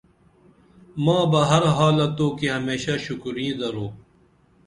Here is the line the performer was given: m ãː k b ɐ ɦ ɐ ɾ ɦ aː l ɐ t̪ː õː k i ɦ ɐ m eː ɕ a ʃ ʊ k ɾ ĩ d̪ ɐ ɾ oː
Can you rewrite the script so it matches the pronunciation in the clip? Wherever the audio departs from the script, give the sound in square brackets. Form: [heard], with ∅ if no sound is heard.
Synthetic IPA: m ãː [∅] b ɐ ɦ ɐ ɾ ɦ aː l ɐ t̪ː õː k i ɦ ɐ m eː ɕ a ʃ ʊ k ɾ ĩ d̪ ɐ ɾ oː